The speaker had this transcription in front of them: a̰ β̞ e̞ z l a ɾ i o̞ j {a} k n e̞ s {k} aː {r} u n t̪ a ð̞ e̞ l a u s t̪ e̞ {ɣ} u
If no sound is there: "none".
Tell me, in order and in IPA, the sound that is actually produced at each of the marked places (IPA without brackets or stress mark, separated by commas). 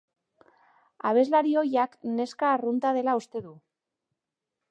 a, k, r, ð